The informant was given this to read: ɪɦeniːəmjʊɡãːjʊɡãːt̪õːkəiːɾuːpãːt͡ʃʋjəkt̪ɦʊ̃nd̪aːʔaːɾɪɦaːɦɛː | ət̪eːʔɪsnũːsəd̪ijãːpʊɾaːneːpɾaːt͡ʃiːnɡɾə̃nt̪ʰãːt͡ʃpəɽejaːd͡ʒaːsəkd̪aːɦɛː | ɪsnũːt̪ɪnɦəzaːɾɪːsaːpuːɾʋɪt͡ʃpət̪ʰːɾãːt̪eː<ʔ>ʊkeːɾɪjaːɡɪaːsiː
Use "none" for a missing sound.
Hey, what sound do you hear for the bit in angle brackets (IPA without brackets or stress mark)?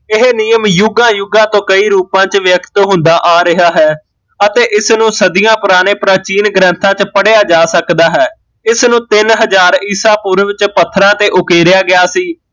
ʔ